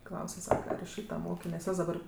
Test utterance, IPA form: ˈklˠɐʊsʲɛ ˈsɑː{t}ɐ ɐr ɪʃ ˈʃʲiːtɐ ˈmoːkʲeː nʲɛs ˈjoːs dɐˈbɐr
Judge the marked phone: incorrect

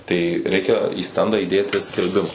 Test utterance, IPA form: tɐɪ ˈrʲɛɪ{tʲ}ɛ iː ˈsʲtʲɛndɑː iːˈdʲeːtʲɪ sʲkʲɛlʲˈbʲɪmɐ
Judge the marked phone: incorrect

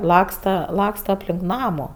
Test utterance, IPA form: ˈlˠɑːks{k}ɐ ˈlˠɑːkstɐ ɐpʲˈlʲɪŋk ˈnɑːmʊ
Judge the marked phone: incorrect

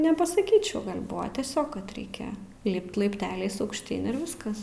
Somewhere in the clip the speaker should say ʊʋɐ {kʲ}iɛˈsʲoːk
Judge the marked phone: incorrect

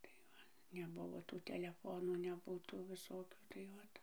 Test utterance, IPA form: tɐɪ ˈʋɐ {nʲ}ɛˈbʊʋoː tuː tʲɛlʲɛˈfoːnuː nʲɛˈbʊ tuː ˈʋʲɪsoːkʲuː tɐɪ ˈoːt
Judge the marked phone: correct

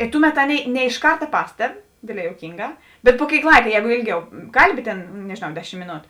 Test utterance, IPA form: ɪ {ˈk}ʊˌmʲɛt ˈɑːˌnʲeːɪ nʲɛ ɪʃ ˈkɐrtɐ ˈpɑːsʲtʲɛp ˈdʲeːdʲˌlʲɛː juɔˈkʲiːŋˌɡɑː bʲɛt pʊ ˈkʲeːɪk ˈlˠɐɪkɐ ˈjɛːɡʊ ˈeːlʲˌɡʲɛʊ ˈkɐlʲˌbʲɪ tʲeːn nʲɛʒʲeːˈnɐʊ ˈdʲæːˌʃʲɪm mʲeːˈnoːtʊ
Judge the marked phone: incorrect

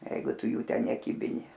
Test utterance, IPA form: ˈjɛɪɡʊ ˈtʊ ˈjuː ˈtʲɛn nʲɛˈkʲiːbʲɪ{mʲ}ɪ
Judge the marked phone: incorrect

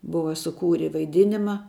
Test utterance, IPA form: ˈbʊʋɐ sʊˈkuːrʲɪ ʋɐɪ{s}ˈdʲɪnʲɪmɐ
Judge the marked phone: incorrect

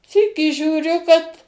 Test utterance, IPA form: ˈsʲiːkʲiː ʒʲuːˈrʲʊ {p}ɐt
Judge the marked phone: incorrect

